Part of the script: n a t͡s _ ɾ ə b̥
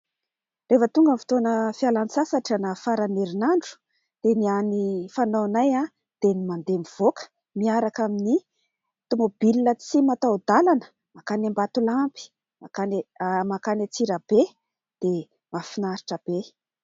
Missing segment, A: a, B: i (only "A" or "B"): B